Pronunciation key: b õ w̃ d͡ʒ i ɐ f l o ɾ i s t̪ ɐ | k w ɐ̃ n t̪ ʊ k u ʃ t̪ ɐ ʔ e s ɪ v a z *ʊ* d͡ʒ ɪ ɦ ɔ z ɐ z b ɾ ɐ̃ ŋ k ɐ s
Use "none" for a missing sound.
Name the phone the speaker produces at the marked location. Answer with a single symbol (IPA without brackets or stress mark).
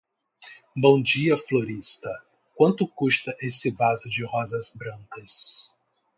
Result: ʊ